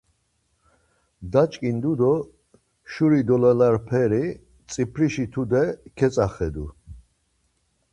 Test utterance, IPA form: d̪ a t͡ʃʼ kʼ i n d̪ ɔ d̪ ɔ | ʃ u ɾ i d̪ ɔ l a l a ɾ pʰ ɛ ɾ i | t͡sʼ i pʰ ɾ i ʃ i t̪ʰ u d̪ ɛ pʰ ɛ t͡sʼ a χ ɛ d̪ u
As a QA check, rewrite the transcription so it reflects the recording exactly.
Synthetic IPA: d̪ a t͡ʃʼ kʼ i n d̪ u d̪ ɔ | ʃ u ɾ i d̪ ɔ l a l a ɾ pʰ ɛ ɾ i | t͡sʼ i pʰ ɾ i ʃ i t̪ʰ u d̪ ɛ kʰ ɛ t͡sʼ a χ ɛ d̪ u